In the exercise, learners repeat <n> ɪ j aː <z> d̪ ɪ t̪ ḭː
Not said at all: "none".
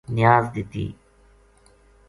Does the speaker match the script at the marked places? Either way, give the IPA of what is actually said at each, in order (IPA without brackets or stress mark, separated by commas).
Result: n, z